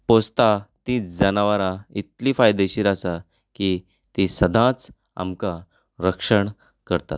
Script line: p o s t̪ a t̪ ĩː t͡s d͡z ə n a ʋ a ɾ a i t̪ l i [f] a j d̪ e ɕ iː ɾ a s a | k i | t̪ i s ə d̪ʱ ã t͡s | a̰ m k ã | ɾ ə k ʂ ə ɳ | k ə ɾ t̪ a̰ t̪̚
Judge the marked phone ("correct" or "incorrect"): correct